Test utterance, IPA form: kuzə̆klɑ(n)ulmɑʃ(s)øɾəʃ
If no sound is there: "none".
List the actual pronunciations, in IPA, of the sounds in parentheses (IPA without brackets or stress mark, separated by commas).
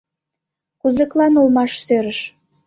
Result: n, s